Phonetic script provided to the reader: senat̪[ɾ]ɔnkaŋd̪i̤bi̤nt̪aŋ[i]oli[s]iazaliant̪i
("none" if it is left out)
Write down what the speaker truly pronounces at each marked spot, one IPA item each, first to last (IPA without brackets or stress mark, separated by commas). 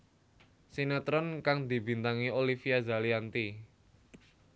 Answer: ɾ, i, f